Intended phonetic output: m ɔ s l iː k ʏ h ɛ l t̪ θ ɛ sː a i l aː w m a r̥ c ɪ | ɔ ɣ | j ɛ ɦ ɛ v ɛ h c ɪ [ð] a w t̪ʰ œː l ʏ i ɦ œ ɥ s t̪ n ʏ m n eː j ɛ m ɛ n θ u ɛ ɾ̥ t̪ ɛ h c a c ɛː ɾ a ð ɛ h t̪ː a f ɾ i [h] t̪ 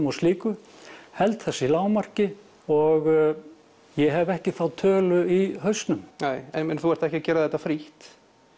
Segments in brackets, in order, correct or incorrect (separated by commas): incorrect, correct